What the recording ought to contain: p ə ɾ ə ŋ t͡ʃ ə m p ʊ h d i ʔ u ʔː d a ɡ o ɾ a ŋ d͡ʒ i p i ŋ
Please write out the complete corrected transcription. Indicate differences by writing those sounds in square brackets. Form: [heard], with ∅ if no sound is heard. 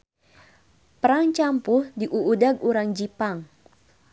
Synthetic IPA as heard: p ə ɾ [a] ŋ t͡ʃ [a] m p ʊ h d i ʔ u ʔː d a ɡ [u] ɾ a ŋ d͡ʒ i p [a] ŋ

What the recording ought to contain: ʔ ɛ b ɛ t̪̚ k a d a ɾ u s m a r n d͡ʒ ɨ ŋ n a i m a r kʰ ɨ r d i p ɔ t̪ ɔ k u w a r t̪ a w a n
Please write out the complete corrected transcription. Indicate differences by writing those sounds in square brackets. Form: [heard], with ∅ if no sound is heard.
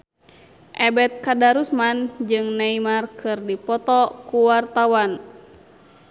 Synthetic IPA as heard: ʔ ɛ b ɛ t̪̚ k a d a ɾ u s m a [∅] n d͡ʒ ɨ ŋ n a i m a r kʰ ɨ r d i p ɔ t̪ ɔ k u w a r t̪ a w a n

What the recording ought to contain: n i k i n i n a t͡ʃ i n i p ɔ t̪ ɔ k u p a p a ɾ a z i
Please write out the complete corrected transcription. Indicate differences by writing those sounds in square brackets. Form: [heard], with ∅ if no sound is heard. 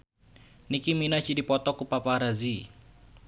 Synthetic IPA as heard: n i k i [m] i n a t͡ʃ i [d] i p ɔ t̪ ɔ k u p a p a ɾ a z i

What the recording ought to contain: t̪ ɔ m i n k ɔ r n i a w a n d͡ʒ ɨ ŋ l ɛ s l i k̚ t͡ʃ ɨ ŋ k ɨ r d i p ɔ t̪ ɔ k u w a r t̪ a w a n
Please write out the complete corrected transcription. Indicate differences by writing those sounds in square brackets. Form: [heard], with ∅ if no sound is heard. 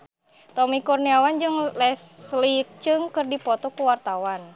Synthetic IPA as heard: t̪ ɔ m i [∅] k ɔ r n i a w a n d͡ʒ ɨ ŋ l ɛ s l i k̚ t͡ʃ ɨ ŋ k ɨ r d i p ɔ t̪ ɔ k u w a r t̪ a w a n

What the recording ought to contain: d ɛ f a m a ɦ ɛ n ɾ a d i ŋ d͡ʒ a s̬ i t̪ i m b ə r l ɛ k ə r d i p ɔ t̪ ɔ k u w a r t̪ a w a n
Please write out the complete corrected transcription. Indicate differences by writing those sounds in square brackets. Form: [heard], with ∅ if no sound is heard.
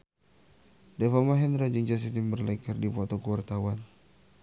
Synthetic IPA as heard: d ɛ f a m a ɦ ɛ n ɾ a [d͡ʒ] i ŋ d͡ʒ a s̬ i t̪ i m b ə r l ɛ k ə r d i p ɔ t̪ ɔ k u w a r t̪ a w a n

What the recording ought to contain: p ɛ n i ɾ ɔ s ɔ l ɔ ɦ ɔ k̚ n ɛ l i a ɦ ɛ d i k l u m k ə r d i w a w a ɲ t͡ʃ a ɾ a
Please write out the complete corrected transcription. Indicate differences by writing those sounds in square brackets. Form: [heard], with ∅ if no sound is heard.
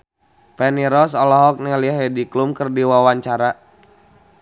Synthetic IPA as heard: p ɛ n i ɾ ɔ s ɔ l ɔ ɦ ɔ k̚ n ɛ l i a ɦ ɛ d i k l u m k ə r d i w a w a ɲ t͡ʃ a ɾ a

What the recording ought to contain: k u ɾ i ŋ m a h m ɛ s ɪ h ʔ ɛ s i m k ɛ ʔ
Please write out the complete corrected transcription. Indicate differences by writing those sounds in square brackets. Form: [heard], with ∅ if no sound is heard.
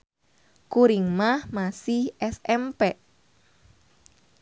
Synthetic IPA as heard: k u ɾ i ŋ m a h m [a] s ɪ h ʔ ɛ s [ɛ] m [p] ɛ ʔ

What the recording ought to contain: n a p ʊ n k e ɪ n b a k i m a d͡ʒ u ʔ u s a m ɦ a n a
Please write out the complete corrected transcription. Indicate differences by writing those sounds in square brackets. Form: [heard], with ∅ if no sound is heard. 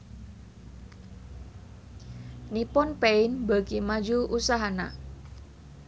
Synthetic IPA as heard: n [i] p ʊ n [p] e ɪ n b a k i m a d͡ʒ u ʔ u s a [∅] ɦ a n a

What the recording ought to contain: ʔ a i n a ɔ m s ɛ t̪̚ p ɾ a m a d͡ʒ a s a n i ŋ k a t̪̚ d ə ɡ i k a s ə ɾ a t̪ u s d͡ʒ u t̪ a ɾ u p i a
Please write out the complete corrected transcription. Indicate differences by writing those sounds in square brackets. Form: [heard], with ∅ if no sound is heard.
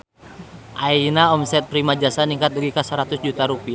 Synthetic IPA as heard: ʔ a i n a ɔ m s ɛ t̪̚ p ɾ [i] m a d͡ʒ a s a n i ŋ k a t̪̚ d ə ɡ i k a s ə ɾ a t̪ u s d͡ʒ u t̪ a ɾ u p i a

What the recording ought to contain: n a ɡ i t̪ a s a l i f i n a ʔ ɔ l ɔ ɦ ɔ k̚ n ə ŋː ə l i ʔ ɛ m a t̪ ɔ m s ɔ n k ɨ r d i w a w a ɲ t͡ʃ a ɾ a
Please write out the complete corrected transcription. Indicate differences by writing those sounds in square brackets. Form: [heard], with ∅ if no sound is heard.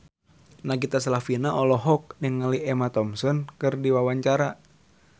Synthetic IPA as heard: n a ɡ i t̪ a s a l [a] f i n a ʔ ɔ l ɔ ɦ ɔ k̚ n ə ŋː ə l i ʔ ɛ m a t̪ ɔ m s ɔ n k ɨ r d i w a w a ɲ t͡ʃ a ɾ a

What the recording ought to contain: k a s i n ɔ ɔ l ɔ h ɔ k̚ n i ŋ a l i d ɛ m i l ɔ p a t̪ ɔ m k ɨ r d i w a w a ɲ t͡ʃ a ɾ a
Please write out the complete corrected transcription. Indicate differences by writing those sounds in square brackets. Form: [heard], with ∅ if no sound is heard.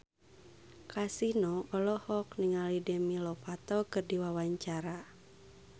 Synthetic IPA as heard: k a s i n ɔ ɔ l ɔ h ɔ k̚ n i ŋ a l i d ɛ m i l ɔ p a t̪ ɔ [∅] k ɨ r d i w a w a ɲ t͡ʃ a ɾ a

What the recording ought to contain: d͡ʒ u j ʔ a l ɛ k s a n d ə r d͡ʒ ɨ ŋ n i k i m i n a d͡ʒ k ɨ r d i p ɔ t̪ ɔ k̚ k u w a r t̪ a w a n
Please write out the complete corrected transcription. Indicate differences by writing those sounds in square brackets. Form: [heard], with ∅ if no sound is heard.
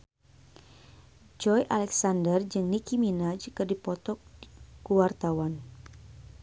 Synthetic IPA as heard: d͡ʒ [ɔ] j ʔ a l ɛ k s a n d ə r d͡ʒ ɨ ŋ n i k i m i n a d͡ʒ k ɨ r d i p ɔ t̪ ɔ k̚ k u w a r t̪ a w a n

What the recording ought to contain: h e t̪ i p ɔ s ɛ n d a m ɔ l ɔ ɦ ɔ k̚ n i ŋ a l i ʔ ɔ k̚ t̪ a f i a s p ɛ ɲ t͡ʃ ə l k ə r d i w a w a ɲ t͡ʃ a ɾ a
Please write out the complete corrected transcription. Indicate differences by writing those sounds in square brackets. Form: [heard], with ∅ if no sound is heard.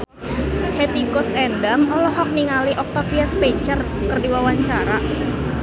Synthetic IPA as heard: h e t̪ i [k] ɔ s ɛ n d a m ɔ l ɔ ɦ ɔ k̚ n i ŋ a l i ʔ ɔ k̚ t̪ a f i a s p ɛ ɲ t͡ʃ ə [r] k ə r d i w a w a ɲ t͡ʃ a ɾ a

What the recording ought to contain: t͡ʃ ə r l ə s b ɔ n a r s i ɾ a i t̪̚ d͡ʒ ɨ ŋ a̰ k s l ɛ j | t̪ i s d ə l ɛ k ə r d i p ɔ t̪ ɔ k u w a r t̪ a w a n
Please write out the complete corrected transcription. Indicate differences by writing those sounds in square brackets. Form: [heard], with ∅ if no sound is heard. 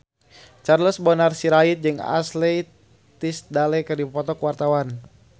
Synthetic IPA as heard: t͡ʃ [a] r l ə s b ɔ n a r s i ɾ a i t̪̚ d͡ʒ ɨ ŋ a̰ [∅] s l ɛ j | t̪ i s d [a] l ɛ k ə r d i p ɔ t̪ ɔ k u w a r t̪ a w a n

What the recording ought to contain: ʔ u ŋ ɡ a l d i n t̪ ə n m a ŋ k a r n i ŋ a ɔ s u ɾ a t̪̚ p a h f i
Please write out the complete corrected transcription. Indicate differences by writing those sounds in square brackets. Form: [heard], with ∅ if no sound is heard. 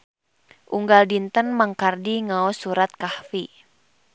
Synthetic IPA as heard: ʔ u ŋ ɡ a l d i n t̪ ə n m a ŋ k a r [d] i ŋ a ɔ s u ɾ a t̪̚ [k] a h f i

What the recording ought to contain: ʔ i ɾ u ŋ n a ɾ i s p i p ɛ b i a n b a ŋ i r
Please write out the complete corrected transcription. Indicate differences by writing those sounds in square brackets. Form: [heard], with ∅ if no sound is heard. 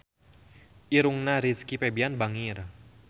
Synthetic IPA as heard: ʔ i ɾ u ŋ n a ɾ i s [k] i p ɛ b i a n b a ŋ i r

